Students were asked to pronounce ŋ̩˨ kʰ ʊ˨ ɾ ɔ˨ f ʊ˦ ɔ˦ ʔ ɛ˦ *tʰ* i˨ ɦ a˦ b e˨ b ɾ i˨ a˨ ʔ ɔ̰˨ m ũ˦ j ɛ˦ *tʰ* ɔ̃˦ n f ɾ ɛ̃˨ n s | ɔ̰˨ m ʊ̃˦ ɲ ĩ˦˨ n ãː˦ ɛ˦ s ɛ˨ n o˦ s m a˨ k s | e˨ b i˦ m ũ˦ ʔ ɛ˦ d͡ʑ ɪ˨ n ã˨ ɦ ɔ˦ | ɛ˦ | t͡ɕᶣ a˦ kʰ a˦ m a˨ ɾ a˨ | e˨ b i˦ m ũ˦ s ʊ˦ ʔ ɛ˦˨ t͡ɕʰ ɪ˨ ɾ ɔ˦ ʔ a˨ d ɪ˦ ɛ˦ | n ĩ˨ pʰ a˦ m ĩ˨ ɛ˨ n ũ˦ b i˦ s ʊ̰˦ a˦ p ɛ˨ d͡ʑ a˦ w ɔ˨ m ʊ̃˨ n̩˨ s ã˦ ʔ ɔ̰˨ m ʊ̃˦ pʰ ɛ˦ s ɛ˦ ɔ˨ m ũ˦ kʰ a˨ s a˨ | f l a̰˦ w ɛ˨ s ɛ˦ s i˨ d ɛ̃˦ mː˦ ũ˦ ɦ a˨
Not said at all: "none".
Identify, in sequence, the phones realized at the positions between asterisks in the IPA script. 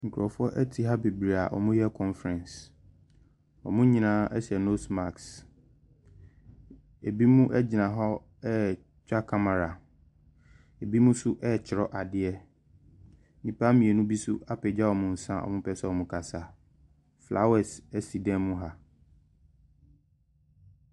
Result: tʰ, kʰ

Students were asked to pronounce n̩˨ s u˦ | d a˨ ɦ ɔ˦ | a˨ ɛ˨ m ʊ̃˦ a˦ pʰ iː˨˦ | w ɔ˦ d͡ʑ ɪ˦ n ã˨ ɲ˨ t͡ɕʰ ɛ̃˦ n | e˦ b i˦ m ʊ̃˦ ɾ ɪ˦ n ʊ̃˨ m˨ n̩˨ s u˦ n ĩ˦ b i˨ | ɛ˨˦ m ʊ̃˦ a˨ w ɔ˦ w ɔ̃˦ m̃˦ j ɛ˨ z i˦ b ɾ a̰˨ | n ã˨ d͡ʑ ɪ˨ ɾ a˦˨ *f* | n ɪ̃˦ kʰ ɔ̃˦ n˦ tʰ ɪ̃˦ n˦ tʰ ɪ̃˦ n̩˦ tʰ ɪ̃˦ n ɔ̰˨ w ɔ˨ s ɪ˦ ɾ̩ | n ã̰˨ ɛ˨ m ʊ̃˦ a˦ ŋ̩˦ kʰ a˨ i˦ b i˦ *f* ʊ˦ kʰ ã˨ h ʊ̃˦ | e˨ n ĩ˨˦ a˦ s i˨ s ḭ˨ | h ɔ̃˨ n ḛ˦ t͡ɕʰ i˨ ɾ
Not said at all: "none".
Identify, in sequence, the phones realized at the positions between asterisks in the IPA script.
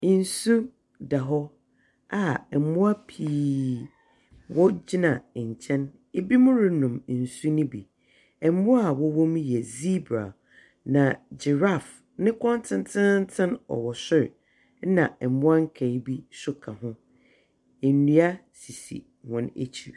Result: f, s

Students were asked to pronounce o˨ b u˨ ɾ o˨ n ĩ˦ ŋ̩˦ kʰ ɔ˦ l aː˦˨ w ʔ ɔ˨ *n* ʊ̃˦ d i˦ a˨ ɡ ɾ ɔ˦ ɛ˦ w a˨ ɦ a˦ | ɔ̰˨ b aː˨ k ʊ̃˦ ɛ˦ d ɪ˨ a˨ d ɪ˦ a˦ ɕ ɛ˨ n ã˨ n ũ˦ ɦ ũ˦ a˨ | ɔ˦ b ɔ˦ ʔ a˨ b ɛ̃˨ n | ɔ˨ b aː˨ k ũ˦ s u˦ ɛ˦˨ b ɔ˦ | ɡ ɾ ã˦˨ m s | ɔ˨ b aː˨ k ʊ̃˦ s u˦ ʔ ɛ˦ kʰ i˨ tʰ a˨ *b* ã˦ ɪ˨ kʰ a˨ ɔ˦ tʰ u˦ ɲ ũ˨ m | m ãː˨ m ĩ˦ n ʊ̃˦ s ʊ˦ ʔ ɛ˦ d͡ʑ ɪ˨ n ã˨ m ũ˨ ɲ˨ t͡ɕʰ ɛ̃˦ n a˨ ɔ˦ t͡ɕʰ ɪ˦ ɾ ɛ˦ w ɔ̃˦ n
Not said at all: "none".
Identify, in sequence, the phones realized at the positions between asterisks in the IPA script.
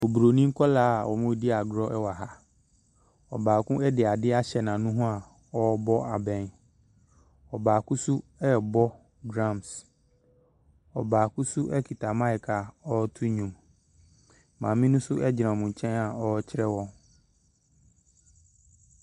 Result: m, m

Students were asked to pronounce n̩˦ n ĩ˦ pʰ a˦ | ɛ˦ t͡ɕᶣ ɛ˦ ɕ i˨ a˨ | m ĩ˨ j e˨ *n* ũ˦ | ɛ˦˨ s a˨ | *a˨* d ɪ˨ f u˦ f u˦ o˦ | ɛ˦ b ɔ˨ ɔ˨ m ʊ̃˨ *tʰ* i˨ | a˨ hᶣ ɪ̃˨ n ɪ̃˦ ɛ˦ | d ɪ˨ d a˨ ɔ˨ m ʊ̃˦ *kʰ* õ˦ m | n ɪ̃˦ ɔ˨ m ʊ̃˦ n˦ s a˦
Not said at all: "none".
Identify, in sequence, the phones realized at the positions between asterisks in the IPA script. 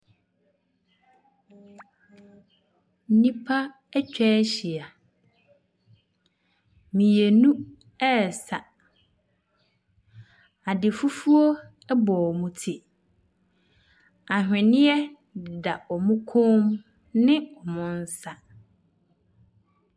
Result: n, a˨, tʰ, kʰ

